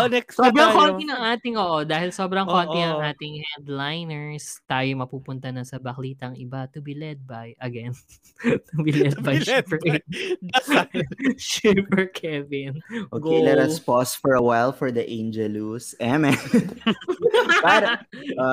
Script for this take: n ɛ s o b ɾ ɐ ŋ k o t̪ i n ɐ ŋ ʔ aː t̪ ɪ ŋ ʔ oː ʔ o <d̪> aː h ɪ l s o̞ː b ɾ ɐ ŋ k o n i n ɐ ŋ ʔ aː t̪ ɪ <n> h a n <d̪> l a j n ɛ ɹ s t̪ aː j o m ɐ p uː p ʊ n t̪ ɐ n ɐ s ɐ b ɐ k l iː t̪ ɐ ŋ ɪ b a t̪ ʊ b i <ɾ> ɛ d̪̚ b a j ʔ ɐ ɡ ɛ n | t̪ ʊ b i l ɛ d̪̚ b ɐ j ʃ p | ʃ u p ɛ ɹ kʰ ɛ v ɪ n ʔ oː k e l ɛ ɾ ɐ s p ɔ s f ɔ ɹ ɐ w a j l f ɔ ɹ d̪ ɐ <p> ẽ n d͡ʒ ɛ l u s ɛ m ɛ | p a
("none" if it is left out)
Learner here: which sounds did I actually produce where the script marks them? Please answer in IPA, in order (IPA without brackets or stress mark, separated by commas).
d̪, ŋ, d̪, l, ʔ